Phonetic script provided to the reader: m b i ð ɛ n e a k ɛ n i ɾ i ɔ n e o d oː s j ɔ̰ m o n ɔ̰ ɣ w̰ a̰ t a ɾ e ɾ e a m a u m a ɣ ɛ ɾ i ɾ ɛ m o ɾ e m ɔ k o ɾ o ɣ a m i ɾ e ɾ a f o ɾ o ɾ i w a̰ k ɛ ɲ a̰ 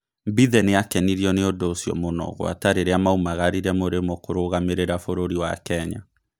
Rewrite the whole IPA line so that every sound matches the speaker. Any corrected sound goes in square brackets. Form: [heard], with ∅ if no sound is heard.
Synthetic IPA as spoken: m b i ð ɛ n e a k ɛ n i ɾ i ɔ n e o d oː s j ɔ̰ m o n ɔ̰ ɣ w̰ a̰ t a ɾ e ɾ e a m a u m a ɣ [a] ɾ i ɾ ɛ m o ɾ e m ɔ k o ɾ o ɣ a m [e] ɾ e ɾ a f o ɾ o ɾ i w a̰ k ɛ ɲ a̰